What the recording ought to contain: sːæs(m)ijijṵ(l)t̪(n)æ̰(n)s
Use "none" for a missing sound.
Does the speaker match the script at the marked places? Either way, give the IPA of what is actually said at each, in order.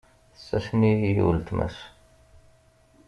n, l, m, none

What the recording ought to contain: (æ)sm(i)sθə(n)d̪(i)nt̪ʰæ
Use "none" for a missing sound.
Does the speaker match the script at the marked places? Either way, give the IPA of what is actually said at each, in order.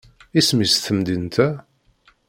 i, i, m, i

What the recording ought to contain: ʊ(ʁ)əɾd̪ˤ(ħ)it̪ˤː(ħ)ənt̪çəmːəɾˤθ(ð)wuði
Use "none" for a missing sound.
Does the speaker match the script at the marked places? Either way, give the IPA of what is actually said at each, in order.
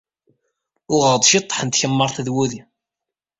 ʁ, ʃ, ħ, ð

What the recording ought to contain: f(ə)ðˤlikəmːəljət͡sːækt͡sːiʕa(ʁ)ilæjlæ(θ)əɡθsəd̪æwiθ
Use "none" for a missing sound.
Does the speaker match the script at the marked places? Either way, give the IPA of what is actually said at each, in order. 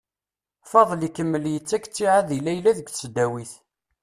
ɑ, ð, ð

